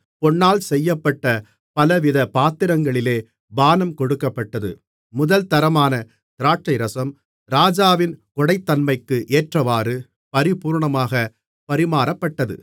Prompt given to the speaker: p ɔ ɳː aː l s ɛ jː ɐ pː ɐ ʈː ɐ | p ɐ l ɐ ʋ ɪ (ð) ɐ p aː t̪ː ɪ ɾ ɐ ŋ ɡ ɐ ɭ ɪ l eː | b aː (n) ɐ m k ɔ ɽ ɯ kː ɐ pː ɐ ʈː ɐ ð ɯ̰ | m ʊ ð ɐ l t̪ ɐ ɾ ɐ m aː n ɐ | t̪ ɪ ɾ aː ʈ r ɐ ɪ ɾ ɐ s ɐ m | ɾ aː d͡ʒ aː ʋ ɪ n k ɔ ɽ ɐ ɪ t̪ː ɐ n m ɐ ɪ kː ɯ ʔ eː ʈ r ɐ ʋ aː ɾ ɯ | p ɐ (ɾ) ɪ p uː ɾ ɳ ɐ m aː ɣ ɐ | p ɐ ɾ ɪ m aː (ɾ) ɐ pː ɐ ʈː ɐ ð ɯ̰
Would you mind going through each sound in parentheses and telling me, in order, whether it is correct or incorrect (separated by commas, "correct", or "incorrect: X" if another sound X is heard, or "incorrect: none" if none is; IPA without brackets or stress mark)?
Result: correct, correct, correct, correct